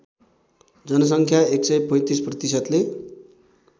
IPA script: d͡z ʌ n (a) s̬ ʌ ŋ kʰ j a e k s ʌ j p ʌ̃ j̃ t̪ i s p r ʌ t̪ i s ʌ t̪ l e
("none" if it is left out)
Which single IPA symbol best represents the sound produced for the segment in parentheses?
ʌ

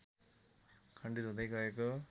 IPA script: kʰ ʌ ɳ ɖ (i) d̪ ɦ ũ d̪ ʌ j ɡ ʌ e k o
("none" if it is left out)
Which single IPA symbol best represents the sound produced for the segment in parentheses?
i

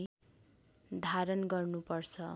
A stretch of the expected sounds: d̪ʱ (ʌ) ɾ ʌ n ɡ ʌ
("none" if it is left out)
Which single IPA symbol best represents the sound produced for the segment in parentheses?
a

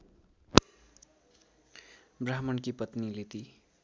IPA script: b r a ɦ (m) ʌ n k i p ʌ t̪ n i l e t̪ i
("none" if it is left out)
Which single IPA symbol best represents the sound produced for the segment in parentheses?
m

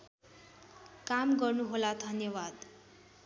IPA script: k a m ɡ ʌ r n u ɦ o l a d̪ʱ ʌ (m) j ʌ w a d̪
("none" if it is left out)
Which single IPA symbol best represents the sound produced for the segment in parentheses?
n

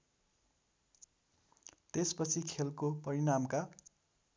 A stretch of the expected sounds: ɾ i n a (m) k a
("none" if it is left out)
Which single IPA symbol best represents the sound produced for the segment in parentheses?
m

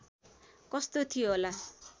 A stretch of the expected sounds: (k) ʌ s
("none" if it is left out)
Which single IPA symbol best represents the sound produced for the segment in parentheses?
k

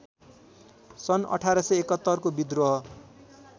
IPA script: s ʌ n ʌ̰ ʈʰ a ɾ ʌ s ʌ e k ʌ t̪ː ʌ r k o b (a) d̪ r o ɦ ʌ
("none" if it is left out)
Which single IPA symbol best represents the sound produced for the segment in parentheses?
i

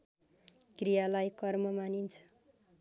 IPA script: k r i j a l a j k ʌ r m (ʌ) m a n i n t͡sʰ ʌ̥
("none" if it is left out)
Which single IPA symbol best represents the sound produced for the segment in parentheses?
ʌ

